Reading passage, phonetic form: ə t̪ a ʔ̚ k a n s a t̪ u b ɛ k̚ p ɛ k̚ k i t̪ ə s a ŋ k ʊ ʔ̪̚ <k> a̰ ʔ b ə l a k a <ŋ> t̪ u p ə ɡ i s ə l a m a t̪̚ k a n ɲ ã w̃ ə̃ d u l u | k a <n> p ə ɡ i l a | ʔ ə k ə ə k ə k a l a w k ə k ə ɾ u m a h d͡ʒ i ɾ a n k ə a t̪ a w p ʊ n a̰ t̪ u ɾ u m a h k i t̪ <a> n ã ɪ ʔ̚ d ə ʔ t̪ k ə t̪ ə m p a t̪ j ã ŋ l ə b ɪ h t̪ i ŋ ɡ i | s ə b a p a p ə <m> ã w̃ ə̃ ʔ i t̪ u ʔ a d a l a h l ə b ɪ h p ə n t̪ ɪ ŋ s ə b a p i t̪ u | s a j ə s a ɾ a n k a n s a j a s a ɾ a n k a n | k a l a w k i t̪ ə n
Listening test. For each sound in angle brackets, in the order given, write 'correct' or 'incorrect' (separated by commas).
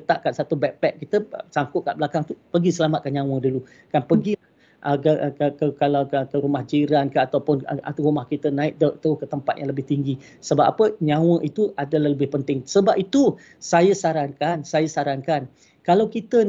correct, correct, correct, incorrect, incorrect